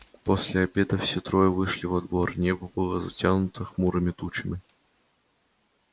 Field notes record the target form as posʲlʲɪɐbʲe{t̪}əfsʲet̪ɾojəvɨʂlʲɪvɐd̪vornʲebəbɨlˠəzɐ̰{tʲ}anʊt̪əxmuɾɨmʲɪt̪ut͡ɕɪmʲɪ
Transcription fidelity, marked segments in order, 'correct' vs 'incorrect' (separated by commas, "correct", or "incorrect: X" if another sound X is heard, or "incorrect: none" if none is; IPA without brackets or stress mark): incorrect: d̪, correct